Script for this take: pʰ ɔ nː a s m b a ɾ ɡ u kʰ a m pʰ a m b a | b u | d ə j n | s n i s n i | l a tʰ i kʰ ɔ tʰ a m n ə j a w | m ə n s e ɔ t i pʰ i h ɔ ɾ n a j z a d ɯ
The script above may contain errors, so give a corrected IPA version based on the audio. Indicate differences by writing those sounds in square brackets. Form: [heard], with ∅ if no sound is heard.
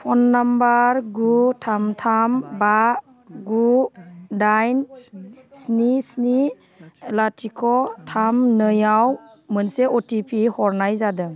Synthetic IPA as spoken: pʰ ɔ nː a [∅] m b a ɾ ɡ u [tʰ] a m [tʰ] a m b a | [ɡ] u | d [a] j n | s n i s n i | l a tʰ i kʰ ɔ tʰ a m n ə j a w | m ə n s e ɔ t i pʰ i h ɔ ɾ n a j z a d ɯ